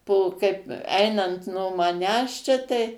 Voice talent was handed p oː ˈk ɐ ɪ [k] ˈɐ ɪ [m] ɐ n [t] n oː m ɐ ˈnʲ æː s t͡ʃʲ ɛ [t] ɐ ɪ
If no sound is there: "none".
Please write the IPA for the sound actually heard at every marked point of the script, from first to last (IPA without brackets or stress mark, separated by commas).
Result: p, n, t, t